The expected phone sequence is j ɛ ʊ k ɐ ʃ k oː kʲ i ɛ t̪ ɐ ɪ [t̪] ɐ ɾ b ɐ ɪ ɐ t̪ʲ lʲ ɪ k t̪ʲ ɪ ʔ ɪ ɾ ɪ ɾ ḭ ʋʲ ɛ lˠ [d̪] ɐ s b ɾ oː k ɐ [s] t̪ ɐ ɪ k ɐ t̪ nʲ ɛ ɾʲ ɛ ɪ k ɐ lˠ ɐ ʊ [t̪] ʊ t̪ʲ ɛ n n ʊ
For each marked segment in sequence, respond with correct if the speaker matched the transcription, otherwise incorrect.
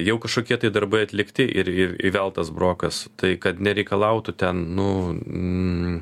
incorrect: d̪, incorrect: t̪, correct, correct

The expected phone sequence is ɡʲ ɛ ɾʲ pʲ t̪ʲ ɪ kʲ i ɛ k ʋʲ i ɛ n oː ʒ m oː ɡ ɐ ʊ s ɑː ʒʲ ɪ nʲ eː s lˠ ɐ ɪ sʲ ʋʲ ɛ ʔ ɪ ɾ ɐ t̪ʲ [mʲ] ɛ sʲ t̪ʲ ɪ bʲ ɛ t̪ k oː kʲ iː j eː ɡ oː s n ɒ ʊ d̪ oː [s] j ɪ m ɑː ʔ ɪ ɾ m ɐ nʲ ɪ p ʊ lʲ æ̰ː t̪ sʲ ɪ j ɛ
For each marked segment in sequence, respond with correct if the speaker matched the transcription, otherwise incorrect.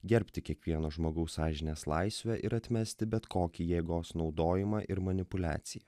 correct, incorrect: none

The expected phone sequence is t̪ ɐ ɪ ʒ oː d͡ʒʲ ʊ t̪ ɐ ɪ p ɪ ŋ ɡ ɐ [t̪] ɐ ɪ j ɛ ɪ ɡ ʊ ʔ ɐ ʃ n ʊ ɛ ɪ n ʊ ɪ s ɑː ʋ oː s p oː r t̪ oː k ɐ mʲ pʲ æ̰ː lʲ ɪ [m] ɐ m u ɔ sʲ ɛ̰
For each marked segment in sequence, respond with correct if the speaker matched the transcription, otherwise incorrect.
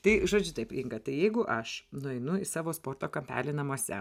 correct, incorrect: n

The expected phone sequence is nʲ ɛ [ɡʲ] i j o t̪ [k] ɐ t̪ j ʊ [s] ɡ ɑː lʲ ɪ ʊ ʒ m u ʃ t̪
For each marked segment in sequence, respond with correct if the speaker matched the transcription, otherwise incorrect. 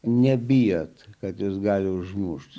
incorrect: bʲ, correct, correct

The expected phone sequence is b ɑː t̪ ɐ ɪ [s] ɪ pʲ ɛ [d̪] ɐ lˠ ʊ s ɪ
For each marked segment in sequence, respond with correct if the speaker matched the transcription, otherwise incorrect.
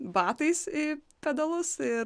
correct, correct

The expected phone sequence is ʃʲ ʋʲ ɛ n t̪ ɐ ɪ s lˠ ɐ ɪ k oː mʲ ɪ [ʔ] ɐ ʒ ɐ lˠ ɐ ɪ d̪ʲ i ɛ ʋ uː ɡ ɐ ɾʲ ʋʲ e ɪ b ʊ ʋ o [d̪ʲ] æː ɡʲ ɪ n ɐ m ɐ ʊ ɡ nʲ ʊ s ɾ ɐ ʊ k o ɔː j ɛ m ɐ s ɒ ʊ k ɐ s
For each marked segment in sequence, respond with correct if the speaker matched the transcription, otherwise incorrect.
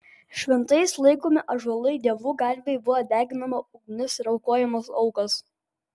correct, correct

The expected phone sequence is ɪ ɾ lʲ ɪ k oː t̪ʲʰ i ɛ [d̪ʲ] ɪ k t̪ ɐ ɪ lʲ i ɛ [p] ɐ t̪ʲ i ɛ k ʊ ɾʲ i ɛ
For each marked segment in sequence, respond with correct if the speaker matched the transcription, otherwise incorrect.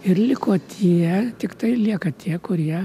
incorrect: t̪ʲ, incorrect: k

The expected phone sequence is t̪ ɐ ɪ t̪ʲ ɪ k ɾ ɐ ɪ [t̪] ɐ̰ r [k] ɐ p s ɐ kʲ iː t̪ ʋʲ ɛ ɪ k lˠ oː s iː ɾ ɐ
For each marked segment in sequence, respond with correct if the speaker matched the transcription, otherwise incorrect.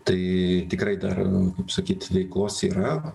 incorrect: d̪, correct

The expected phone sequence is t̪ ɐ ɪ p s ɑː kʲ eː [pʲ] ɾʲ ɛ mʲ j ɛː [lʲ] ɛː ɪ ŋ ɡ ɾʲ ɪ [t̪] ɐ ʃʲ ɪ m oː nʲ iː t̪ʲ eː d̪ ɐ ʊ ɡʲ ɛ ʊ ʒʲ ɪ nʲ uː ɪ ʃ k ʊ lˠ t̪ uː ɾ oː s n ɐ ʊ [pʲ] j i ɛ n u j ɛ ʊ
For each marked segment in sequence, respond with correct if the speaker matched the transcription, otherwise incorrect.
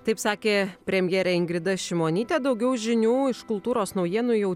correct, incorrect: ɾʲ, incorrect: d̪, incorrect: none

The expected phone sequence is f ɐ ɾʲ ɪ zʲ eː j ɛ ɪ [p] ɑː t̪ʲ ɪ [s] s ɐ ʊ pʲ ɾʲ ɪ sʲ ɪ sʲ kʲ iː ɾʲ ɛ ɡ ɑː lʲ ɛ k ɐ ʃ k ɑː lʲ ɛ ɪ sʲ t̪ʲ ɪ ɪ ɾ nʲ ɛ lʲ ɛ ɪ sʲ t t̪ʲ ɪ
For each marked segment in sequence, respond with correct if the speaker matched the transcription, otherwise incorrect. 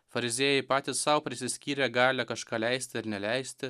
correct, correct

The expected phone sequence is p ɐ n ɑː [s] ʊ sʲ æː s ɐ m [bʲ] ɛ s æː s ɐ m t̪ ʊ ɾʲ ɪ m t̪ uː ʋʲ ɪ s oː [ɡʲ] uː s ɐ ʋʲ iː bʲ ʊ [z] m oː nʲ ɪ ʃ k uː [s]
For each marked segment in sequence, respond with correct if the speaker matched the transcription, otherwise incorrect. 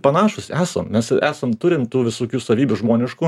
incorrect: ʃ, incorrect: mʲ, incorrect: kʲ, incorrect: ʒ, incorrect: none

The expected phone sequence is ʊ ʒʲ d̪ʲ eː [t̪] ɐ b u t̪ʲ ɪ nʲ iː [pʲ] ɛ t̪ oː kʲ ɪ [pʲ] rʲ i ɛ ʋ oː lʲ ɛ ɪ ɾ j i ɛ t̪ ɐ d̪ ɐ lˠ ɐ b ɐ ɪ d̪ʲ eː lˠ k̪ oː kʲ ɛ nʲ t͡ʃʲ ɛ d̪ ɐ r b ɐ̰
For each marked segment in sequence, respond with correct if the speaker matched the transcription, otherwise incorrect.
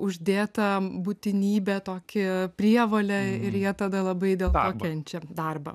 correct, incorrect: bʲ, correct

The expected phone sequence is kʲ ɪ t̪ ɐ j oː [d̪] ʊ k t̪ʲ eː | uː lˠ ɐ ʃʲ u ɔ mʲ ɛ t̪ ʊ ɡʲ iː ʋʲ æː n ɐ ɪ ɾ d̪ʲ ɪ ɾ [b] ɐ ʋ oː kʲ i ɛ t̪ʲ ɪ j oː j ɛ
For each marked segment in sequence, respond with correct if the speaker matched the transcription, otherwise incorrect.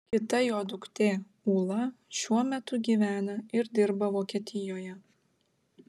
correct, correct

